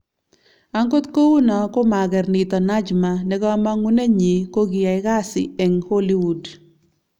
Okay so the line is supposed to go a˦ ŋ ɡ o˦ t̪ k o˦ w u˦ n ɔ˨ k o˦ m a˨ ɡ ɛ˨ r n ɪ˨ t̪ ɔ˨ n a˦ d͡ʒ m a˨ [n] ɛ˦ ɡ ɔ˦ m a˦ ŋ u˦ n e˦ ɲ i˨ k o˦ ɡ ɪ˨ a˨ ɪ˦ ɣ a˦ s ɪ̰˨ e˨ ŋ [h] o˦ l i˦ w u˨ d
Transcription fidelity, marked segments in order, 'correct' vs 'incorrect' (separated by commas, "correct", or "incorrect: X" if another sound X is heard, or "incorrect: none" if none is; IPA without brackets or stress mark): correct, correct